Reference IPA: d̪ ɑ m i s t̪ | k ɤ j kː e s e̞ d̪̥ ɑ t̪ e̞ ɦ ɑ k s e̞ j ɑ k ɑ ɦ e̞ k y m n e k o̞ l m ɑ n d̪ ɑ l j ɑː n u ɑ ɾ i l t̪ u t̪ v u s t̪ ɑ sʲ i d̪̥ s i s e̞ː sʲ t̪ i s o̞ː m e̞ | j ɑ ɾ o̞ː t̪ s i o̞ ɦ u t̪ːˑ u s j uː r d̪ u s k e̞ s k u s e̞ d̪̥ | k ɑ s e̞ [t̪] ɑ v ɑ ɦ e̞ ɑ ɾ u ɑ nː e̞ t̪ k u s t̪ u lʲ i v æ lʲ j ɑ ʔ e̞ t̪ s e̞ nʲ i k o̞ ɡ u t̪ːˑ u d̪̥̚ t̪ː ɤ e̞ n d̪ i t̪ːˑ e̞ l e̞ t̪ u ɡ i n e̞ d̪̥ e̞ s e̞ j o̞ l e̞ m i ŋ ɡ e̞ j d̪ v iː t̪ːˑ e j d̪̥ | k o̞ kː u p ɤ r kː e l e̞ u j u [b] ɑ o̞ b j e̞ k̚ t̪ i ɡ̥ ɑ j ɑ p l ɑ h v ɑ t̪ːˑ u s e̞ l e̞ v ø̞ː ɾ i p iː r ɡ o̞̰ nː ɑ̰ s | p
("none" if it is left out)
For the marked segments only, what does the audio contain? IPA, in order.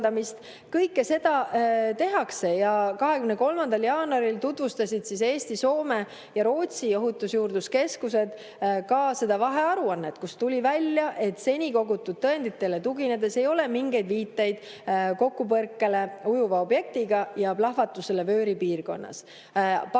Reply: d̪, v

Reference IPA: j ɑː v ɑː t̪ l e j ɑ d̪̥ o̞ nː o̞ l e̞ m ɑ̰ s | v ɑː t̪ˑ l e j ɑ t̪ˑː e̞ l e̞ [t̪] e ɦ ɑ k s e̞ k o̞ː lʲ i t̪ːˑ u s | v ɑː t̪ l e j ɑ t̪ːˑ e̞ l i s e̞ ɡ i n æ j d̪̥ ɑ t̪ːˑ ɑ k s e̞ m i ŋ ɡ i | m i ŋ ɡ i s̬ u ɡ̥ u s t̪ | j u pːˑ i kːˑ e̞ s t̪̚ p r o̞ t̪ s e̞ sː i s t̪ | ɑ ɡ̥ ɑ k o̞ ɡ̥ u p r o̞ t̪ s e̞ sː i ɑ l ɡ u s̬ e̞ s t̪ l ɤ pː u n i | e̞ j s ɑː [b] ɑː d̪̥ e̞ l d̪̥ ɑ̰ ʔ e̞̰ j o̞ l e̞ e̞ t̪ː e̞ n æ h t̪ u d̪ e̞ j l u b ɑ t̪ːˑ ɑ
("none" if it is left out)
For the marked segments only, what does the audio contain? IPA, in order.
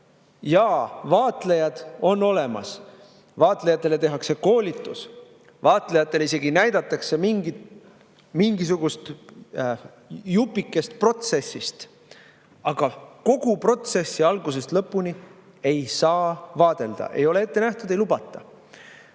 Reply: t̪, v

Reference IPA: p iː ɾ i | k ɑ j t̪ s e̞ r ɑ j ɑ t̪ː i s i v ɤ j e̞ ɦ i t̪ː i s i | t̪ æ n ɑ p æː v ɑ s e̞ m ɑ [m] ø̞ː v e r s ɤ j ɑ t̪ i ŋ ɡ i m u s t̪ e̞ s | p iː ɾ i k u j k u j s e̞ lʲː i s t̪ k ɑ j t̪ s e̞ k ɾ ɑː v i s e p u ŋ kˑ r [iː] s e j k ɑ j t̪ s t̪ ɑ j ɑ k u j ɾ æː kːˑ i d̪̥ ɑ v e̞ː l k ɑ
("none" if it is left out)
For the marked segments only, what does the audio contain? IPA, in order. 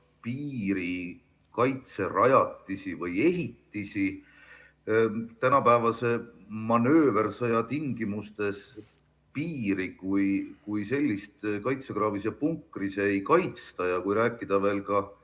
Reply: n, i

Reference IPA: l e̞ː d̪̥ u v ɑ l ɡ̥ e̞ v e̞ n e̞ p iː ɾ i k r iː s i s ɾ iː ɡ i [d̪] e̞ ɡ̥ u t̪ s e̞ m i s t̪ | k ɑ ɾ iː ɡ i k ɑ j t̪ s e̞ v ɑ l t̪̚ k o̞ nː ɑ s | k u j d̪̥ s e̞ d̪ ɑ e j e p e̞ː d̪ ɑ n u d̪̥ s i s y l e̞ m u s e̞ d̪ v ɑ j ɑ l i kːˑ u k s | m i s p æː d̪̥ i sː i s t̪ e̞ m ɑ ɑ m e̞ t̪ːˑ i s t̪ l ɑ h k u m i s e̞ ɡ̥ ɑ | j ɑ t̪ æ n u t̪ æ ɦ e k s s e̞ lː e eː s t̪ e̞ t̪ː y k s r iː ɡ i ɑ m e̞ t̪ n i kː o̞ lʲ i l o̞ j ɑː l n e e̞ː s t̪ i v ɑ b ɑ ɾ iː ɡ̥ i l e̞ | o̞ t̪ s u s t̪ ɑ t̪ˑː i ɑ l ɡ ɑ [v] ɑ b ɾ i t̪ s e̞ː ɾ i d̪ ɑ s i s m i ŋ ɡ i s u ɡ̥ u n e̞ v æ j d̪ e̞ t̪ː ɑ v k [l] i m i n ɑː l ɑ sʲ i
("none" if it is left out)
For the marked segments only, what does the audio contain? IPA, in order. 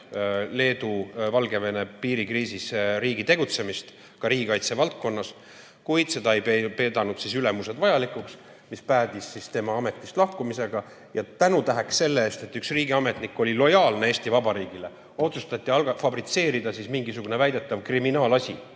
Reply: t̪, f, r

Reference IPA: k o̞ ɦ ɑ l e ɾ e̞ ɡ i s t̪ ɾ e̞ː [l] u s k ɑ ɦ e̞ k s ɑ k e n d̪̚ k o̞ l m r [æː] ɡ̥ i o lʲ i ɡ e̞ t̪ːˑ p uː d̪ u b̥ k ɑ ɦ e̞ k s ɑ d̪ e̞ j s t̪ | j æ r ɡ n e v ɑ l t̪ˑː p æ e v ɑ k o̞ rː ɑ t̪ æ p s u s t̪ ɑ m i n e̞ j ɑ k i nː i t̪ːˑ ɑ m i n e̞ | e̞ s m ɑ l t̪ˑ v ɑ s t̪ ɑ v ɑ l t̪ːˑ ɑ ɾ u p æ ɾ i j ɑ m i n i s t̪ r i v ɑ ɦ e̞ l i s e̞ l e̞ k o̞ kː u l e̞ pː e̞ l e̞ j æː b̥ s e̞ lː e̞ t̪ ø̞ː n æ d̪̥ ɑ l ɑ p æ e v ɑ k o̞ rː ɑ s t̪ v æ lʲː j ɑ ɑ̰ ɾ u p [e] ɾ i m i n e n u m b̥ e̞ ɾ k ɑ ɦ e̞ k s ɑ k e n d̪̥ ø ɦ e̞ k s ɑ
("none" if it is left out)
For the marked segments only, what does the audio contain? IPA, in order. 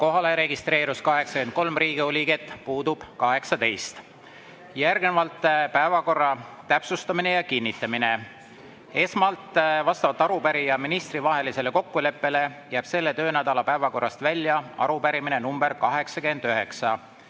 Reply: ɾ, iː, æ

